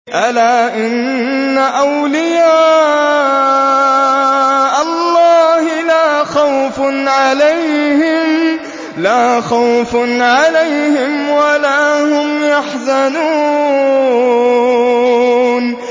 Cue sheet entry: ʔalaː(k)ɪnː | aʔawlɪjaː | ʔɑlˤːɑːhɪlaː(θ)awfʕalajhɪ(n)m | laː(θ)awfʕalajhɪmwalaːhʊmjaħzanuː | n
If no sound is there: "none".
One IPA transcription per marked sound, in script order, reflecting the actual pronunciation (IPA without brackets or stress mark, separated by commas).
ʔ, x, m, x